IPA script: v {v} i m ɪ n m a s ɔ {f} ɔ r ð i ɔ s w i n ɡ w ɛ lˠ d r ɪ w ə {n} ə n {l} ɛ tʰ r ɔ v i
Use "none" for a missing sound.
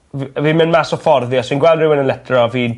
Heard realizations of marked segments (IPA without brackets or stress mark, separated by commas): v, f, n, l